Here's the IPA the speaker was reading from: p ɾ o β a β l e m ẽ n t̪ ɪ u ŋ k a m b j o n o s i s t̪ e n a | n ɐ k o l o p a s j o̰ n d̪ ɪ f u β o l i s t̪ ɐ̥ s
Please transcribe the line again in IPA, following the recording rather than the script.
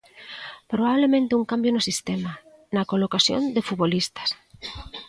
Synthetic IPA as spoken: p ɾ o β a β l e m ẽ n t̪ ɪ u ŋ k a m b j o n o s i s t̪ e m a | n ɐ k o l o k a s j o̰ n d̪ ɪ f u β o l i s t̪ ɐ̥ s